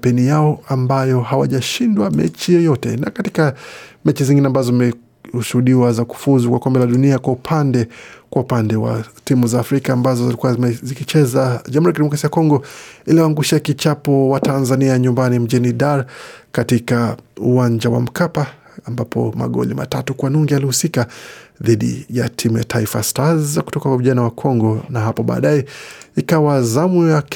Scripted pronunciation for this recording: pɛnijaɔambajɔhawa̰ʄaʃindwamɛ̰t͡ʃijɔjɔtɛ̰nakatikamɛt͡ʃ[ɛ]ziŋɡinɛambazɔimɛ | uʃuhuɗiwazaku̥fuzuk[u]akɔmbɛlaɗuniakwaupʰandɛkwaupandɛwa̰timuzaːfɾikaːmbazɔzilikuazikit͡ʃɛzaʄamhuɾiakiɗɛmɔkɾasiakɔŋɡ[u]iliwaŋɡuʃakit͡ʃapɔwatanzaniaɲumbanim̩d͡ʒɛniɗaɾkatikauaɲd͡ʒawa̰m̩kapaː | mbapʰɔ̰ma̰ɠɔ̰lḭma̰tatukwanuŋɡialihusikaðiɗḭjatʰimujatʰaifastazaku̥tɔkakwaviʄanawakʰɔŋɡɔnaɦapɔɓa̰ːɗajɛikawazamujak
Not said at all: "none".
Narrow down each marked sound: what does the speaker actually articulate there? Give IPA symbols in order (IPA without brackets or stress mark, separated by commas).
i, w, ɔ